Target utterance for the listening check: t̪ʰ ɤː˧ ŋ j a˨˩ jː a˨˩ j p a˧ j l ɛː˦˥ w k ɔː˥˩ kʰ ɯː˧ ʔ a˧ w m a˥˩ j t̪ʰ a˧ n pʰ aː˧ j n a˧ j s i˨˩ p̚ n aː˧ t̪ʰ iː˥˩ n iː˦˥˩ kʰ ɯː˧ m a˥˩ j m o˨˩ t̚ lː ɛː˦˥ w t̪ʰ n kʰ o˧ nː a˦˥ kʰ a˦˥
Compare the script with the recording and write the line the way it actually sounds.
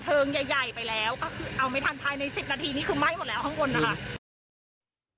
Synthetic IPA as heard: t̪ʰ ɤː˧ ŋ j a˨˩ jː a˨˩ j p a˧ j l ɛː˦˥ w k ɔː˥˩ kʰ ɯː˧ ʔ a˧ w m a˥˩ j t̪ʰ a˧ n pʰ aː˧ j n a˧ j s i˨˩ p̚ n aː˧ t̪ʰ iː˧ n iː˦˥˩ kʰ ɯː˧ m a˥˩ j m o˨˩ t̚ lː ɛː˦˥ w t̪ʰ ŋ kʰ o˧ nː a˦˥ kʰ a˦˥